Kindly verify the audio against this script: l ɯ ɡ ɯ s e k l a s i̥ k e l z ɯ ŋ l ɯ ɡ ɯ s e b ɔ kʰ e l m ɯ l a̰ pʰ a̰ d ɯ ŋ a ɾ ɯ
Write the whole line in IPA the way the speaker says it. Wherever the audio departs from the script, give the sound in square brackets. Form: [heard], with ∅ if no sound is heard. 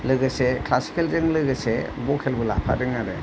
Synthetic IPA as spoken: l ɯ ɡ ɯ s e k l a s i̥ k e l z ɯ ŋ l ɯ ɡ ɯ s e b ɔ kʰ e l [b] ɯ l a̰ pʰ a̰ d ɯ ŋ a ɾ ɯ